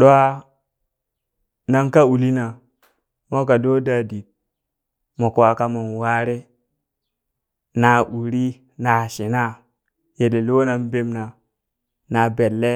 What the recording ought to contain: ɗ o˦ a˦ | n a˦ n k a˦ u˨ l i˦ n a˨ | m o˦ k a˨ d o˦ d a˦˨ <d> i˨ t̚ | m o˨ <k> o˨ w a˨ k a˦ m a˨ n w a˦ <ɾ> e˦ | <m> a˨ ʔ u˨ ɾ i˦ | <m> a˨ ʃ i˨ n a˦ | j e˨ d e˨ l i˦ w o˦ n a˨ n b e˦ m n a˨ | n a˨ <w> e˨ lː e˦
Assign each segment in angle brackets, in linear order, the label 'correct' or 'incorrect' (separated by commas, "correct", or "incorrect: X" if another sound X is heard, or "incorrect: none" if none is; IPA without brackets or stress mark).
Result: correct, correct, correct, incorrect: n, incorrect: n, incorrect: b